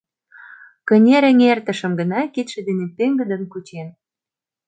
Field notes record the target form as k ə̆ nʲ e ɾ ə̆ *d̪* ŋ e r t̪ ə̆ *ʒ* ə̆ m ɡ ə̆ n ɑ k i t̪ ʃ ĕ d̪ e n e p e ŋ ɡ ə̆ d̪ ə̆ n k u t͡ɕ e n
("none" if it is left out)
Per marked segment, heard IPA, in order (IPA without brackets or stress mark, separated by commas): none, ʃ